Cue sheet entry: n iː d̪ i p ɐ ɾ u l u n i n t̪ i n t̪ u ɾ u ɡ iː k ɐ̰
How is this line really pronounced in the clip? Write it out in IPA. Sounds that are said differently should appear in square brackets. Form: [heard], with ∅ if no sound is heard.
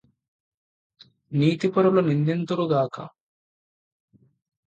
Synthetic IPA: n iː [t̪] i p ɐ ɾ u l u n i n [d̪] i n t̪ u ɾ u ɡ [aː] k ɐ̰